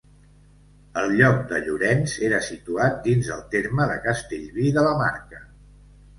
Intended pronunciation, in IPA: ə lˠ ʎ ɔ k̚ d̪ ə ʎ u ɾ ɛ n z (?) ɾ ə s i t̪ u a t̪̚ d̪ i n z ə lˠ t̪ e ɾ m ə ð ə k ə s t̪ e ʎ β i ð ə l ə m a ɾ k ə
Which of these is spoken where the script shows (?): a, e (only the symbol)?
e